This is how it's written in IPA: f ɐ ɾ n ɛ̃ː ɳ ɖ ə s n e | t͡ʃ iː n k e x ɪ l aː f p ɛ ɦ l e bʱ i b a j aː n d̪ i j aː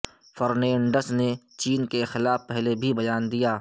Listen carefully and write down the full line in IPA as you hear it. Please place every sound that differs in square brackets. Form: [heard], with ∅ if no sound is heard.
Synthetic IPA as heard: f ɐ ɾ n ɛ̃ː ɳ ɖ ə s n e | t͡ʃ iː n k e x ɪ l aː f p ɛ ɦ l e bʱ i b [ɐ] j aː n d̪ i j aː